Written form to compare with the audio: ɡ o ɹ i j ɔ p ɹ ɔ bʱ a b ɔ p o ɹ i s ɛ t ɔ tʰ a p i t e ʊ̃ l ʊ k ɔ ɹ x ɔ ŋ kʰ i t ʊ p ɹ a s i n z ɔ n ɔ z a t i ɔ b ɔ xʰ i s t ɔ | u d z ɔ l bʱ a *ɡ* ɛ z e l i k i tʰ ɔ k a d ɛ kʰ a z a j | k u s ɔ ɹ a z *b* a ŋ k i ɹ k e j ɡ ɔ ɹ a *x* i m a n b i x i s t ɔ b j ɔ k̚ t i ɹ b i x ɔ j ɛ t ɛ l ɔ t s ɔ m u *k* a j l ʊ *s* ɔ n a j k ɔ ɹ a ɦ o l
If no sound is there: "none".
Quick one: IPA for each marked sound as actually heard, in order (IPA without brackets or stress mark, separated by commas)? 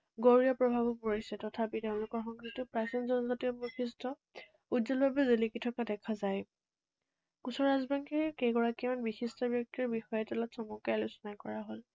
b, b, k, k, s